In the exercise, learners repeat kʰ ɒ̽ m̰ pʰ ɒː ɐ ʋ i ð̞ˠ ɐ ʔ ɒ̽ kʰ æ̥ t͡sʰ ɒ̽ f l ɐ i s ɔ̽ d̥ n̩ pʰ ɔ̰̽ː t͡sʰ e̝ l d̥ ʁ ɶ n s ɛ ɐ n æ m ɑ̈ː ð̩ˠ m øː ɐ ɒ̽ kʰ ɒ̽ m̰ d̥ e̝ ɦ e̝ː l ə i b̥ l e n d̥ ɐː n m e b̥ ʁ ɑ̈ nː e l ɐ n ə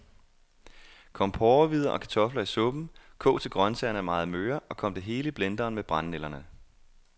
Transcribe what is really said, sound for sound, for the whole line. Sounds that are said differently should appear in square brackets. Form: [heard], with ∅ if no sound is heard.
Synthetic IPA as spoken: kʰ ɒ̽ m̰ pʰ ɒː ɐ ʋ i ð̞ˠ ɐ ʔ ɒ̽ kʰ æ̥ t͡sʰ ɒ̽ f l ɐ i s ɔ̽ [b̥] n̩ [kʰ] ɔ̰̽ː t͡sʰ e̝ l [ɡ̥] ʁ ɶ n s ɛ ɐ n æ m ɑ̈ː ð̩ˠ m øː ɐ ɒ̽ kʰ ɒ̽ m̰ d̥ e̝ ɦ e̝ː l ə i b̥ l e n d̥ ɐː n m e b̥ ʁ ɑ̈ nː e l ɐ n ə

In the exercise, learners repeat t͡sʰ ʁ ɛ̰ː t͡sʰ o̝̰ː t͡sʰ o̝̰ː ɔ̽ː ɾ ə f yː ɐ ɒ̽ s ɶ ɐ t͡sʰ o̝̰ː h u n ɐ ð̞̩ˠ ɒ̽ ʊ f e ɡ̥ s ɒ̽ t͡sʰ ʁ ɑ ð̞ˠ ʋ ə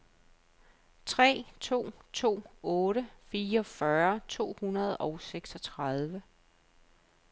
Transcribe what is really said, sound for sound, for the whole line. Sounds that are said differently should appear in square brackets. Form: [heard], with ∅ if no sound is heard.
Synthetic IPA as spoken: t͡sʰ ʁ ɛ̰ː t͡sʰ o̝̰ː t͡sʰ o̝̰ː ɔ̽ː ɾ ə f [iː] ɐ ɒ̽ [f] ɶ ɐ t͡sʰ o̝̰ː h u n ɐ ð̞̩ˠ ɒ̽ ʊ [s] e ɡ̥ s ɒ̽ t͡sʰ ʁ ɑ ð̞ˠ ʋ ə

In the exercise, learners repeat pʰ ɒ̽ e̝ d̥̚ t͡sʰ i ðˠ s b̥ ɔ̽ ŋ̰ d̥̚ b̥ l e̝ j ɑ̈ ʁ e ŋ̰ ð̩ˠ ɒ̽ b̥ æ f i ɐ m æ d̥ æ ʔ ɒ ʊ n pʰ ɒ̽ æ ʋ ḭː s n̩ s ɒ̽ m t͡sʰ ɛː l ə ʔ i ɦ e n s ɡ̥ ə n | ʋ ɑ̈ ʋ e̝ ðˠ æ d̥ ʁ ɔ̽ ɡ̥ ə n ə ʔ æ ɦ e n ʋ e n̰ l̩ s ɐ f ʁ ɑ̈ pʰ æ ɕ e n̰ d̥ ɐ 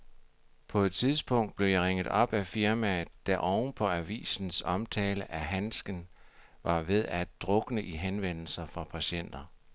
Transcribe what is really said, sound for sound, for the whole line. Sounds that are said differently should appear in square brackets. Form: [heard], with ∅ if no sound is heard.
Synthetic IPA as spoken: pʰ ɒ̽ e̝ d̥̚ t͡sʰ i ðˠ s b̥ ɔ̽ ŋ̰ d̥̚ b̥ l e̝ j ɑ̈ ʁ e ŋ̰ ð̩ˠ ɒ̽ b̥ æ f i ɐ m æ d̥ æ ʔ ɒ ʊ n pʰ ɒ̽ æ ʋ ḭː s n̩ s ɒ̽ m t͡sʰ ɛː l ə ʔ [æ] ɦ [æ] n s ɡ̥ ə n | ʋ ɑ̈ ʋ e̝ ðˠ æ d̥ ʁ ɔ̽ ɡ̥ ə n ə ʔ [i] ɦ e n ʋ e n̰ l̩ s ɐ f ʁ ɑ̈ pʰ æ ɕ e n̰ d̥ ɐ

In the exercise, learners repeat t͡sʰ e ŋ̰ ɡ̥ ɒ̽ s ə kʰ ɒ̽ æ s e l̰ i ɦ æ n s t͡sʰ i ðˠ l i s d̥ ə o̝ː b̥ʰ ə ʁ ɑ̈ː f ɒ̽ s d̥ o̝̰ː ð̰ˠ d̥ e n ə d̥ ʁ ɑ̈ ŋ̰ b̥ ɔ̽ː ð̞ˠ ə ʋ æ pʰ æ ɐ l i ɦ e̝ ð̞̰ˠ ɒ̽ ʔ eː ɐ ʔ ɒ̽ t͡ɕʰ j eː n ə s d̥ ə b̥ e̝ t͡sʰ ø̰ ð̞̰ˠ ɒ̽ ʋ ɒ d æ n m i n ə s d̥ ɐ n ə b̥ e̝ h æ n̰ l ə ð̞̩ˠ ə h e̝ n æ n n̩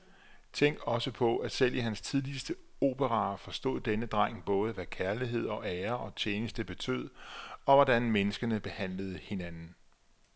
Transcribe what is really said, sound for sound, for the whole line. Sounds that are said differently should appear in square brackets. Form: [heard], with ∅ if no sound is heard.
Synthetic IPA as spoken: t͡sʰ e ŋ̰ ɡ̥ ɒ̽ s ə [pʰ] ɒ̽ æ s e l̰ i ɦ æ n s t͡sʰ i ðˠ l i s d̥ ə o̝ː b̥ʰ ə ʁ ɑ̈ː f ɒ̽ s d̥ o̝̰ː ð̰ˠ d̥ e n ə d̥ ʁ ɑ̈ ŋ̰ b̥ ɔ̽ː ð̞ˠ ə ʋ æ [kʰ] æ ɐ l i ɦ e̝ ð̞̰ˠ ɒ̽ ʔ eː ɐ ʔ ɒ̽ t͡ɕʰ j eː n ə s d̥ ə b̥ e̝ t͡sʰ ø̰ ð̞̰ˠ ɒ̽ ʋ ɒ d æ n m [e] n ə s [ɡ̥] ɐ n ə b̥ e̝ h æ n̰ l ə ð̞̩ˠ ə h e̝ n æ n n̩

